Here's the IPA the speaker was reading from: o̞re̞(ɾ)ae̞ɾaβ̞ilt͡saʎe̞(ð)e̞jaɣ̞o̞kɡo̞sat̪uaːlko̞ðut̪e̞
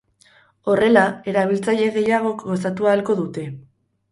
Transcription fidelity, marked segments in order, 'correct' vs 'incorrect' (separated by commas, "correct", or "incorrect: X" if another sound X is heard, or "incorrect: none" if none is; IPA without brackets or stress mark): incorrect: l, incorrect: ɣ